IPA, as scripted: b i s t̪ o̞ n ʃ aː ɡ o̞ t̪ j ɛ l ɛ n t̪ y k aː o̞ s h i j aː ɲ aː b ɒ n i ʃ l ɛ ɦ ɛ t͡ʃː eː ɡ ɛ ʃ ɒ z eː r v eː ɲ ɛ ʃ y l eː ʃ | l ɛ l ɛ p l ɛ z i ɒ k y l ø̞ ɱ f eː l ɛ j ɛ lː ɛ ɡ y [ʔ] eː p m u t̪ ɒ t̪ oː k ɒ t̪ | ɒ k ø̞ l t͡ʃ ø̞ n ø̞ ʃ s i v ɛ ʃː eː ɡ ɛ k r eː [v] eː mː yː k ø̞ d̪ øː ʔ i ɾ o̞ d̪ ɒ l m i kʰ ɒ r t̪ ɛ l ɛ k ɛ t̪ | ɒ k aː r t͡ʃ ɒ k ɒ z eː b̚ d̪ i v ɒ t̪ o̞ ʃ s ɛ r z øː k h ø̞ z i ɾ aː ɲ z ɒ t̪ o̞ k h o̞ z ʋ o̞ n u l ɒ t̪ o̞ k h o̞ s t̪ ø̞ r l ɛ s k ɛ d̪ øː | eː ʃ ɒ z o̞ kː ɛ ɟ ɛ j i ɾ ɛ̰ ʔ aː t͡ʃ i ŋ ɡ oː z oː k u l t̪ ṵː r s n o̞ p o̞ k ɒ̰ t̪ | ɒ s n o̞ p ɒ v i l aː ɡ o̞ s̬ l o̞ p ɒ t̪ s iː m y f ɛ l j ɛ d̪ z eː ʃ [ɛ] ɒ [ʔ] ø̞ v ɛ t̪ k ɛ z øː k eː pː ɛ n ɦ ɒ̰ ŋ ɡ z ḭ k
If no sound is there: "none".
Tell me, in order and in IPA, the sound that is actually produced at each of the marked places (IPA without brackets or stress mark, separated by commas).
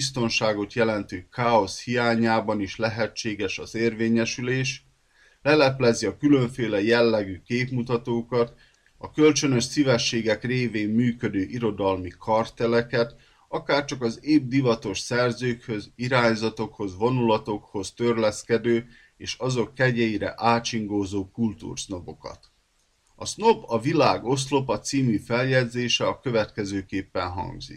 k, v, ɛ, k